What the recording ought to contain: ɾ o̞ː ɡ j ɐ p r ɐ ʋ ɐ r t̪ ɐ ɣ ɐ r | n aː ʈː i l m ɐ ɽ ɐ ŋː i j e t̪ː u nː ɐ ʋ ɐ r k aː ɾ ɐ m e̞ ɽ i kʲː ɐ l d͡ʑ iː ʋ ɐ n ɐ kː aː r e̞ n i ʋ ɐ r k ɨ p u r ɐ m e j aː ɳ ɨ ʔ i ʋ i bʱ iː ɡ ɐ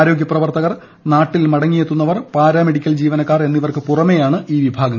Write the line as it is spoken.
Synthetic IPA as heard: ɾ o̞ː ɡ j ɐ p r ɐ ʋ ɐ r t̪ ɐ ɣ ɐ r | n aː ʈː i l m ɐ ɽ ɐ ŋː i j e t̪ː u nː ɐ ʋ ɐ r p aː ɾ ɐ m e̞ ɽ i kʲː ɐ l d͡ʑ iː ʋ ɐ n ɐ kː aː r e̞ nː i ʋ ɐ r k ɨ p u r ɐ m e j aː ɳ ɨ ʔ iː ʋ i bʱ aː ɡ ɐ